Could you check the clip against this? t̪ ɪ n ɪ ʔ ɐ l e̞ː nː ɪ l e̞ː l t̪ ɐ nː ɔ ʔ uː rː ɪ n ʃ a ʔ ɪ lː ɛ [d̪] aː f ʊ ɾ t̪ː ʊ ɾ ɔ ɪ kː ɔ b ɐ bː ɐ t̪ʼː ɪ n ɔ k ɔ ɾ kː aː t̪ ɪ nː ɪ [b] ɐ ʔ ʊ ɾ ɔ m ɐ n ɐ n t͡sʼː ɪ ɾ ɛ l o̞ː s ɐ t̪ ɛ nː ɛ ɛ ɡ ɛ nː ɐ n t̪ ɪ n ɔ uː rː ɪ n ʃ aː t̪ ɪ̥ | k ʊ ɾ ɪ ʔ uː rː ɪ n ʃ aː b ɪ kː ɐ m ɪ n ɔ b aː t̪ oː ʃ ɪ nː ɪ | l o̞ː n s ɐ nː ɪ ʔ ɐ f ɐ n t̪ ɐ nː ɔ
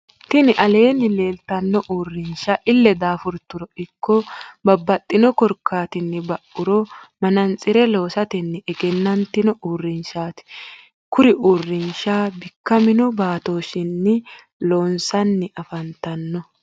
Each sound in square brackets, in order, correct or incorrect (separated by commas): correct, correct